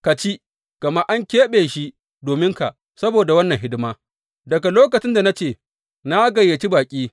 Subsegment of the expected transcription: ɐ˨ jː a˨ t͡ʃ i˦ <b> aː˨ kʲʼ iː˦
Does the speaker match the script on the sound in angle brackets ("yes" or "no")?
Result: yes